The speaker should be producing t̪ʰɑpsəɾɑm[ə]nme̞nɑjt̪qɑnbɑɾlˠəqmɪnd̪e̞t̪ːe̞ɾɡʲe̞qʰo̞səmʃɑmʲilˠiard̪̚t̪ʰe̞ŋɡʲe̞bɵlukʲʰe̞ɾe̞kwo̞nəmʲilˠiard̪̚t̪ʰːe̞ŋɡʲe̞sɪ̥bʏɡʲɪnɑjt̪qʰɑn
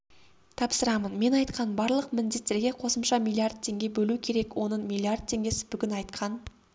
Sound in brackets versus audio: correct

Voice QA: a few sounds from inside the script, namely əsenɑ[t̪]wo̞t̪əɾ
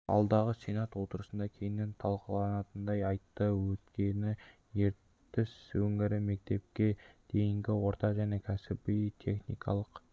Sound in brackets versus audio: correct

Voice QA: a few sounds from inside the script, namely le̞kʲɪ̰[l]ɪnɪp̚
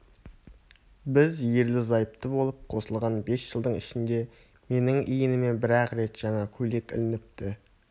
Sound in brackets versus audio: correct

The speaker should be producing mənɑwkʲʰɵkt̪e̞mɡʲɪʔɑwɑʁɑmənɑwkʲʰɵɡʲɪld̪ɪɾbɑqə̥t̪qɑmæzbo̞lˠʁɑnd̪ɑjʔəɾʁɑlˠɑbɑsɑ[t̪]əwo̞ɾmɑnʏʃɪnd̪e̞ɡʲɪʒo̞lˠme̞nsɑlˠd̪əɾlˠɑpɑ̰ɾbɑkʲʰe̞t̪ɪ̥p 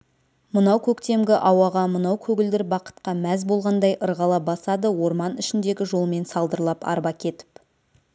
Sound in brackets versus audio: incorrect: d̪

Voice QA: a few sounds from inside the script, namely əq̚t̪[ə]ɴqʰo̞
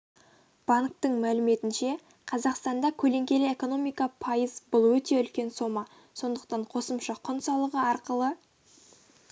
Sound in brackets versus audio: incorrect: ɑ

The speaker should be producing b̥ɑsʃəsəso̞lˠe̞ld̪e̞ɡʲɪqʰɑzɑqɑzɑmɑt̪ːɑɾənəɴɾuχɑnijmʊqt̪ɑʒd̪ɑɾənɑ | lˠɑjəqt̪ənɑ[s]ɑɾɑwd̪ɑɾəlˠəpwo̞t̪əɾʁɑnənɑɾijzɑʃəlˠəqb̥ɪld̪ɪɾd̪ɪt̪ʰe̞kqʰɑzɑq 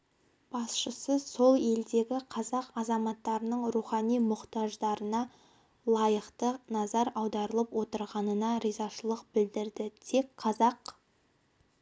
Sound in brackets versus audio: incorrect: z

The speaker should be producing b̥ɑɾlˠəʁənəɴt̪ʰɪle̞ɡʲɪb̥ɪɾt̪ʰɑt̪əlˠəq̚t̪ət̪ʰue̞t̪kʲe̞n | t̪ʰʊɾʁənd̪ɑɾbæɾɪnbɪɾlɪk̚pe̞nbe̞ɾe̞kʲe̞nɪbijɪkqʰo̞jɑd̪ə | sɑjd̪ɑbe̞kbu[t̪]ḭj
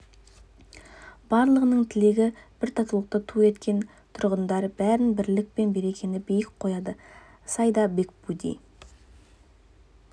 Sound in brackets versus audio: incorrect: d̪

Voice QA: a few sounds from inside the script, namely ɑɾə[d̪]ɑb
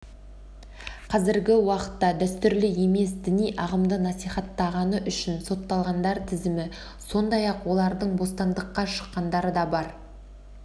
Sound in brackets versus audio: correct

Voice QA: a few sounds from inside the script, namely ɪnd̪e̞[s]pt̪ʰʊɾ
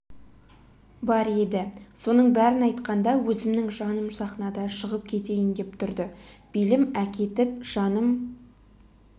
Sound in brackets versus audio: incorrect: none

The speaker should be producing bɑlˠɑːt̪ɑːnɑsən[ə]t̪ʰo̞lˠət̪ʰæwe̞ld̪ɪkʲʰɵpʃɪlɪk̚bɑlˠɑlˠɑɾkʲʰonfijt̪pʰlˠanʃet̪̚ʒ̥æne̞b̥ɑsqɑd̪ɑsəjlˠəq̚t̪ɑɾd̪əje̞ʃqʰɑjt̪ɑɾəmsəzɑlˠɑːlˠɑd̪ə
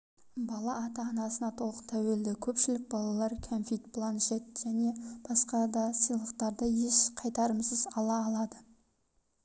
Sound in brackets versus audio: incorrect: ɑ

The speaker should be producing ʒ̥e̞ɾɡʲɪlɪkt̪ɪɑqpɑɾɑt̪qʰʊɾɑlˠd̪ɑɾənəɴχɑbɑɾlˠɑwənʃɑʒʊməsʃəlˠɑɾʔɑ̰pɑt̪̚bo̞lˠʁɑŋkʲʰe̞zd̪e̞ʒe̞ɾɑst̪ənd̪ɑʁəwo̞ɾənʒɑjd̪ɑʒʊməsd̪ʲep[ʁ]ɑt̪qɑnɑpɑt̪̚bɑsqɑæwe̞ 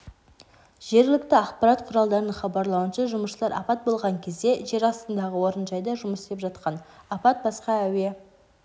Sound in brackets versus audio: incorrect: ʒ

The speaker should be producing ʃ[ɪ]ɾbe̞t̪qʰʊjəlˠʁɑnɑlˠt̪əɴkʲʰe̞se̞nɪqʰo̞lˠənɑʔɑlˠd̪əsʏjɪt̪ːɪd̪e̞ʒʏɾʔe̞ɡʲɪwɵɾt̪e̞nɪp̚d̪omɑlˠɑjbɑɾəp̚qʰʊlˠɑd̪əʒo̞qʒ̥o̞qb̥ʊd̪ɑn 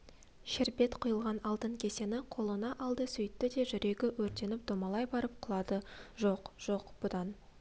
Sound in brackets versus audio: correct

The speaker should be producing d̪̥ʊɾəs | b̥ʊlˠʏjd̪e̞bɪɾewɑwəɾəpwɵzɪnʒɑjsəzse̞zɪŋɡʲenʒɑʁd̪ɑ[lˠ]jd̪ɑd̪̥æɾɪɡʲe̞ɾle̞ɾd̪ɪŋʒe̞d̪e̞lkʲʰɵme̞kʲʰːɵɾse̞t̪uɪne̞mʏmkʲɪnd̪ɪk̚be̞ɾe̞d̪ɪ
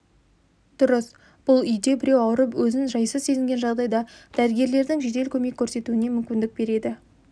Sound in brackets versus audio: incorrect: none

